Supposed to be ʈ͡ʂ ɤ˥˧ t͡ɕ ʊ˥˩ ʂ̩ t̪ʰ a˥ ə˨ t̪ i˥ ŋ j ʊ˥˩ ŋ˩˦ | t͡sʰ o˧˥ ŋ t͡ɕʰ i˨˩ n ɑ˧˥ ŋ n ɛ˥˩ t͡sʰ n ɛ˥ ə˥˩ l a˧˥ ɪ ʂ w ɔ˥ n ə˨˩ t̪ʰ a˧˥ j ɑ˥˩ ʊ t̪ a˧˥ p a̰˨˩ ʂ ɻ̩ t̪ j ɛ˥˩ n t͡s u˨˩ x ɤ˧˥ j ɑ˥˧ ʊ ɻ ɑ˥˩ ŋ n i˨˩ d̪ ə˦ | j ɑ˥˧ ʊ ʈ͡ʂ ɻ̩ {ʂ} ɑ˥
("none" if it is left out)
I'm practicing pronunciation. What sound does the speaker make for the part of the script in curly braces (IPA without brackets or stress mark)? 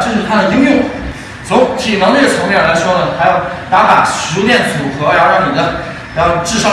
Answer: ʂ